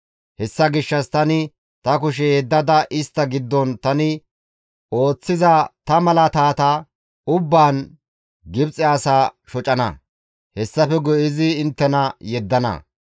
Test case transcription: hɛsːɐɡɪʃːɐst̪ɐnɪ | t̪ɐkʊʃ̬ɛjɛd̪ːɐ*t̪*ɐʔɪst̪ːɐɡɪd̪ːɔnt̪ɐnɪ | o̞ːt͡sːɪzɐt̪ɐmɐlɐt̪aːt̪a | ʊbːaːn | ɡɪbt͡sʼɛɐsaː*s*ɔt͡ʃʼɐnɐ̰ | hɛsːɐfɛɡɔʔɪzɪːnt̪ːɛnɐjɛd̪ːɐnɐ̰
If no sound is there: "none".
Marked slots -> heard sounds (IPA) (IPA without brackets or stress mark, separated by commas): d̪, ʃ